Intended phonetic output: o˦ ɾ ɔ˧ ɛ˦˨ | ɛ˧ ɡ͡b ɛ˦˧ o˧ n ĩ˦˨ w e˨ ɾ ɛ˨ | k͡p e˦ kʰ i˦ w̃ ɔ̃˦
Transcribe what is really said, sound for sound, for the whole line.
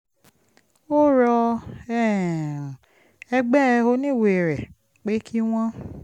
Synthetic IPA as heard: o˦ ɾ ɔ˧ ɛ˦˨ | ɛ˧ ɡ͡b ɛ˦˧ o˧ n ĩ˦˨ w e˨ ɾ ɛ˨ | k͡p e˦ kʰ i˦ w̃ ɔ̃˦